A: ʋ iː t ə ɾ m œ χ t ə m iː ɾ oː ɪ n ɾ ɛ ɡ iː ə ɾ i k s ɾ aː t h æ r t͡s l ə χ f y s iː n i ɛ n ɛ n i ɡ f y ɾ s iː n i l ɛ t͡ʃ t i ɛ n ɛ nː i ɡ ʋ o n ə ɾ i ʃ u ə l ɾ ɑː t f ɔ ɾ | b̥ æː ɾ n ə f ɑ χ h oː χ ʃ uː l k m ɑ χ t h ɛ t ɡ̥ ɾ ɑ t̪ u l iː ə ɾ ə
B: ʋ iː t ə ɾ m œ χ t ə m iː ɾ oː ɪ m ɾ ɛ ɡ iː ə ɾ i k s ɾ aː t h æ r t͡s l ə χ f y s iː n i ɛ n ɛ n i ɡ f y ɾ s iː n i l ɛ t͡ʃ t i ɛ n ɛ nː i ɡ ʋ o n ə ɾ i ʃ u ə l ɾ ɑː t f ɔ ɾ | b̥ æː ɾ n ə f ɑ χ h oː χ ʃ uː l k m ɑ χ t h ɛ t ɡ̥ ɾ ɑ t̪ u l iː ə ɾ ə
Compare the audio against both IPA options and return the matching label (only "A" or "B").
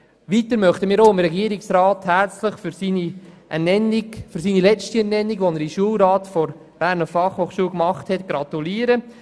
B